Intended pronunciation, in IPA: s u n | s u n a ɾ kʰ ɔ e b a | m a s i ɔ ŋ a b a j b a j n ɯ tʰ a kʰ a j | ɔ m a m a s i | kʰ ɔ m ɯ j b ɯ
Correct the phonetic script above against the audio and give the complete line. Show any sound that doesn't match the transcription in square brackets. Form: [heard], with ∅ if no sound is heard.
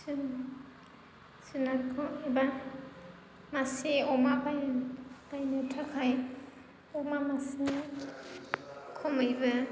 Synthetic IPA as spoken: s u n | s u n a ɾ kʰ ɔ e b a | m a s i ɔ [m] a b a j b a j n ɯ tʰ a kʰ a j | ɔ m a m a s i | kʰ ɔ m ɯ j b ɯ